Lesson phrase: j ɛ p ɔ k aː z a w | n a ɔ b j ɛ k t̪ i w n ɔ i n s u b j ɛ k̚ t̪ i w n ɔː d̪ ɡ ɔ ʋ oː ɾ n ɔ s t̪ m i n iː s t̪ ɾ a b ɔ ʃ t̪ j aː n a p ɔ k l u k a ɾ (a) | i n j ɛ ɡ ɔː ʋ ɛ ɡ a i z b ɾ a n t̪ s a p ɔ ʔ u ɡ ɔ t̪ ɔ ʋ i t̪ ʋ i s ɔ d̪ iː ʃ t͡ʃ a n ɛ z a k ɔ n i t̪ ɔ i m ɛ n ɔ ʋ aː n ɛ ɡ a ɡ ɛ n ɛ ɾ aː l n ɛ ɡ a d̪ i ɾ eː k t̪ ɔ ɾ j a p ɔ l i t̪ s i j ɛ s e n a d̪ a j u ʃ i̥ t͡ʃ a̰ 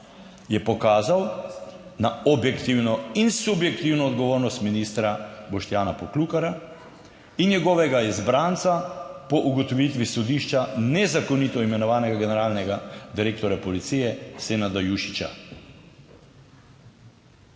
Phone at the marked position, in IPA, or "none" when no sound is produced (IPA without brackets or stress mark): a